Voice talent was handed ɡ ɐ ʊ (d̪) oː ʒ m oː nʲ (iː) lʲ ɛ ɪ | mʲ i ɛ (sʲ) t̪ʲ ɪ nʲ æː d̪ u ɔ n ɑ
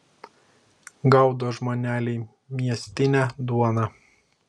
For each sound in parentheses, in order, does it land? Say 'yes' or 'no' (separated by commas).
yes, no, yes